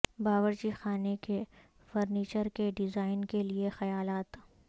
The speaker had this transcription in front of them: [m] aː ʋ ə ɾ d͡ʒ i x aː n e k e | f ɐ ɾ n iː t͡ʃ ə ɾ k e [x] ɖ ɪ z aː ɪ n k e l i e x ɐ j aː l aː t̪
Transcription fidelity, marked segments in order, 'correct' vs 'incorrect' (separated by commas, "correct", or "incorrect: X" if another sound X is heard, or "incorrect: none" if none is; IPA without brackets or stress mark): incorrect: b, incorrect: none